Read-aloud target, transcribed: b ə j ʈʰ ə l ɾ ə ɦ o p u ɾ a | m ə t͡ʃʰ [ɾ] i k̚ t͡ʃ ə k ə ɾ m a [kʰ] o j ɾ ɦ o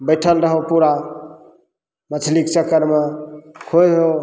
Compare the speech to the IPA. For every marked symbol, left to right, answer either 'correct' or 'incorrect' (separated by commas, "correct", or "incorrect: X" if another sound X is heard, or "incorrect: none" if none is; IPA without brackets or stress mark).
incorrect: l, correct